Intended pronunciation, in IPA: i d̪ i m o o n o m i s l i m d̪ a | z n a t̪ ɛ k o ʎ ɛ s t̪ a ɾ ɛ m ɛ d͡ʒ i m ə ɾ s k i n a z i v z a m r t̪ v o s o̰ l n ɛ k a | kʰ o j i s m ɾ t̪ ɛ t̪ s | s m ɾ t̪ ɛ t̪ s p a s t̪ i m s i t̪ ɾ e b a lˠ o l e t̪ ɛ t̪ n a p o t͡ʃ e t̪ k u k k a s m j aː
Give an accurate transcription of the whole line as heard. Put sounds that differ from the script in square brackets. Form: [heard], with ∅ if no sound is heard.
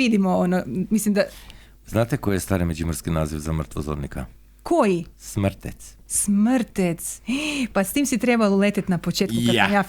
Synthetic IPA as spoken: i d̪ i m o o n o m i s l i m d̪ a | z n a t̪ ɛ k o [j] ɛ s t̪ a ɾ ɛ m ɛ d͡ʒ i m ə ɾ s k i n a z i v z a m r t̪ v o [z] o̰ [ɾ] n [i] k a | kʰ o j i s m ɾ t̪ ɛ t̪ s | s m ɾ t̪ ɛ t̪ s p a s t̪ i m s i t̪ ɾ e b a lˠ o l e t̪ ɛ t̪ n a p o t͡ʃ e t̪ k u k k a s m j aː